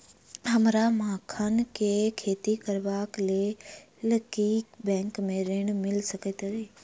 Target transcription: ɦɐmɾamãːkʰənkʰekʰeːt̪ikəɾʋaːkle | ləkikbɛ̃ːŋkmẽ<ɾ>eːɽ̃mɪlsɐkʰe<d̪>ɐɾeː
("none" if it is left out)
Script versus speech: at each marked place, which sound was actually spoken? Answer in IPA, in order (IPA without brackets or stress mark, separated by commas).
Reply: ɾ, t̪